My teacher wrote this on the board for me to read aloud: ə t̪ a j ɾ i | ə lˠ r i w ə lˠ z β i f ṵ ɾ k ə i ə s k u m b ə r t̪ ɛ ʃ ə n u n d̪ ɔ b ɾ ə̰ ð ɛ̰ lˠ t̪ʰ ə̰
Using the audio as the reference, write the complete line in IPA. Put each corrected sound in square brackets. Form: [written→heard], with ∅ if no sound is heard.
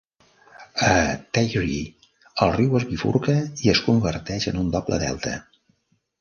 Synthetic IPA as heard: ə t̪ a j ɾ i | ə lˠ r i w ə [lˠ→∅] z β i f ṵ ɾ k ə i ə s k u m b ə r t̪ ɛ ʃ ə n u n d̪ ɔ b [ɾ→l] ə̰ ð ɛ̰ lˠ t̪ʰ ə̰